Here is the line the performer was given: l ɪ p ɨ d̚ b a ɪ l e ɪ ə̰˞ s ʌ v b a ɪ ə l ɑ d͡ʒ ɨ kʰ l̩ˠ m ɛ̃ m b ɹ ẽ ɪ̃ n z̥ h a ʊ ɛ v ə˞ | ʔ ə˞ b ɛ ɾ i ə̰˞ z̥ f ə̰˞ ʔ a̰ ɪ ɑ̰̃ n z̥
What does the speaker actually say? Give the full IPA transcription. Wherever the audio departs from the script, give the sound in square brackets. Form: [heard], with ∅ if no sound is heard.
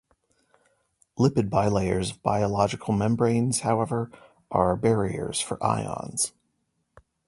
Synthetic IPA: l ɪ p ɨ d̚ b a ɪ l e ɪ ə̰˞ [z] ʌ v b a ɪ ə l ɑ d͡ʒ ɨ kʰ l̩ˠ m ɛ̃ m b ɹ ẽ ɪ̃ n z̥ h a ʊ ɛ v ə˞ | ʔ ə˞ b ɛ [ɹ] i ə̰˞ z̥ f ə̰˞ ʔ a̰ ɪ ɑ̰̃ n z̥